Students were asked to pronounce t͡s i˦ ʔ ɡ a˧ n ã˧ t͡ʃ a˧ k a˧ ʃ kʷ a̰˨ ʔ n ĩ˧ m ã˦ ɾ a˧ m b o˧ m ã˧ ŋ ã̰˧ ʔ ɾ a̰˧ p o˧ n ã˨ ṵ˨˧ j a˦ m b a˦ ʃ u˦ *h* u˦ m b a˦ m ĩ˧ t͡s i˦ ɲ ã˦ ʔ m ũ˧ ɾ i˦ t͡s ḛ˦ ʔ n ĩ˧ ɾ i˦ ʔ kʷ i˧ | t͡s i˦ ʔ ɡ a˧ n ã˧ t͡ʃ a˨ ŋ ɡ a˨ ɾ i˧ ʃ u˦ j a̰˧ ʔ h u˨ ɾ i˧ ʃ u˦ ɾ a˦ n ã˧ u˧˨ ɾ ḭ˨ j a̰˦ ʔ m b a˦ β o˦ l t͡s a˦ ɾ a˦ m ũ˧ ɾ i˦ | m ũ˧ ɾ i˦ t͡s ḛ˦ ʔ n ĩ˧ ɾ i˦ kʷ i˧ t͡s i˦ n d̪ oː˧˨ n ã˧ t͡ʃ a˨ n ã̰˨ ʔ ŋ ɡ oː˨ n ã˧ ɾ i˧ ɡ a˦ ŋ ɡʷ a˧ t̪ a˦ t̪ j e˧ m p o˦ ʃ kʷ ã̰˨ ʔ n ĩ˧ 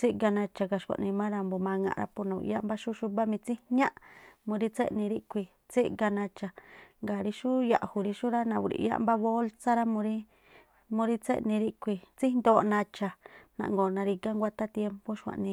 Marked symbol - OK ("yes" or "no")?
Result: no